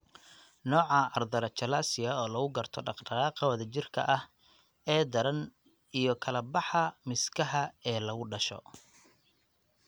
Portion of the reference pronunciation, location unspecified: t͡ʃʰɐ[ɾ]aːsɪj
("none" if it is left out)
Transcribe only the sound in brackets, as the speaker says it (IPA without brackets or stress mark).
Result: l